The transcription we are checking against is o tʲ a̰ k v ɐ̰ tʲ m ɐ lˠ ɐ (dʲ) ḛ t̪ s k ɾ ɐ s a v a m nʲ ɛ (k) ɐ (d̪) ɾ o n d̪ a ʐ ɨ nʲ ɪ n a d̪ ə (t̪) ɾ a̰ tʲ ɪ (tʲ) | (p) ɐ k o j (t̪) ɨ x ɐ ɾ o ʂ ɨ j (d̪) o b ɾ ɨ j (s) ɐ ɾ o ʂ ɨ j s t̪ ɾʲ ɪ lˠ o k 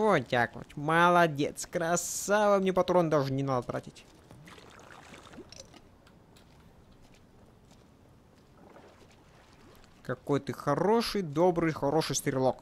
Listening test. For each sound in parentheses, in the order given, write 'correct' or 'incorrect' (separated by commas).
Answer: correct, incorrect, incorrect, correct, correct, incorrect, correct, correct, incorrect